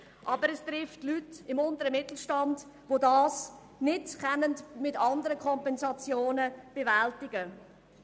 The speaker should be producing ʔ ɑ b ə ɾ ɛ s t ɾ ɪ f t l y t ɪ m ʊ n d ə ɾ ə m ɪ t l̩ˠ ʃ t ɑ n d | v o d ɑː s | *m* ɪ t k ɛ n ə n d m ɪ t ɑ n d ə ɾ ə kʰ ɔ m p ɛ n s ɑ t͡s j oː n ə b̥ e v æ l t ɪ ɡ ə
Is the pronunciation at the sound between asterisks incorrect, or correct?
incorrect: n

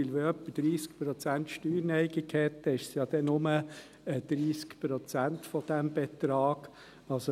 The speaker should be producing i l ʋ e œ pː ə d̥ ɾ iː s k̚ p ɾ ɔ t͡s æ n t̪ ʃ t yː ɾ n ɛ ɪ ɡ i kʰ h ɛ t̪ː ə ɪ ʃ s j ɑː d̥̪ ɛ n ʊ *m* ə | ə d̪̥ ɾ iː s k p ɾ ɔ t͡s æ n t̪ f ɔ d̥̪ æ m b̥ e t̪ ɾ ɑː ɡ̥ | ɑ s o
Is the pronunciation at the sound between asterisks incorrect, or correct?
correct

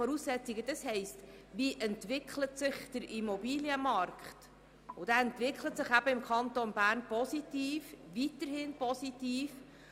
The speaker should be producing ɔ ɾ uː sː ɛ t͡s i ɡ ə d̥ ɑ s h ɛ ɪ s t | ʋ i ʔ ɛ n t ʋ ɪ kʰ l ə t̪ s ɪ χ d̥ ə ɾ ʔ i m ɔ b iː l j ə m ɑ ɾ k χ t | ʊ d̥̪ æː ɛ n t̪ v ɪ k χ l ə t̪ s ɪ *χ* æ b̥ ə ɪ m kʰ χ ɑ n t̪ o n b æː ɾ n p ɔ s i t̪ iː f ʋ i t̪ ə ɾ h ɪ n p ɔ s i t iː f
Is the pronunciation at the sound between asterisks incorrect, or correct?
correct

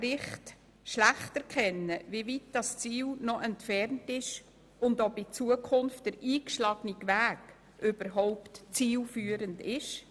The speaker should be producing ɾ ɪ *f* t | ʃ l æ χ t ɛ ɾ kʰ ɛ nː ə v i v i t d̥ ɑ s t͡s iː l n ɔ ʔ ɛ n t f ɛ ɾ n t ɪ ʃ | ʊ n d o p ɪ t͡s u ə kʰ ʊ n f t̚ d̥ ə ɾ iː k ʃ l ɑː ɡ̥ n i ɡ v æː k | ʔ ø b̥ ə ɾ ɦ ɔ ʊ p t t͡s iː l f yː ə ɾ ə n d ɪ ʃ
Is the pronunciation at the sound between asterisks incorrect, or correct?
incorrect: χ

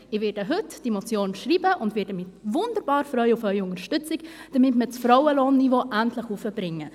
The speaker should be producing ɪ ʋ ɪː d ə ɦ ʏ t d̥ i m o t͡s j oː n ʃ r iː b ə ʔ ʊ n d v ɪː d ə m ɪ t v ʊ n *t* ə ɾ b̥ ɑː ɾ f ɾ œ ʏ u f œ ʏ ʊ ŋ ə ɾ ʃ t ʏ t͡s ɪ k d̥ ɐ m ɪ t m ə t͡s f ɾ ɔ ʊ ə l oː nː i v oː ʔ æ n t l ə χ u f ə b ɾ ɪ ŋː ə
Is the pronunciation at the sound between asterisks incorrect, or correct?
incorrect: d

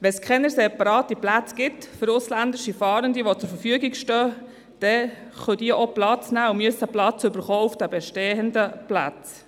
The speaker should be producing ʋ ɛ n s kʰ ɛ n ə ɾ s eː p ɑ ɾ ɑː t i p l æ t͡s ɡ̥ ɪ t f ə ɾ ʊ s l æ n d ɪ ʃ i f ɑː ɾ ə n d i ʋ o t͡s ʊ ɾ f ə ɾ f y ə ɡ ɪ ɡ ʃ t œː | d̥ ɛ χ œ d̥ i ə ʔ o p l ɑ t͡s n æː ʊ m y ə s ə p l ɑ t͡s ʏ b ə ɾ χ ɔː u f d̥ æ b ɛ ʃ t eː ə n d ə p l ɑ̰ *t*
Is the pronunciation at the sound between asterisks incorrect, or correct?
incorrect: t͡s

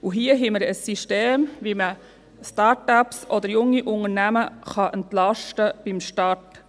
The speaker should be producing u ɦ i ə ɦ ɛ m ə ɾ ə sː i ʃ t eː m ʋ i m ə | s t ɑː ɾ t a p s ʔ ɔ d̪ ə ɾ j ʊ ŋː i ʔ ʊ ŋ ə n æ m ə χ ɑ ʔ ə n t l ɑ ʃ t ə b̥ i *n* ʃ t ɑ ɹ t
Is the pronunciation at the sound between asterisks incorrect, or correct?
incorrect: m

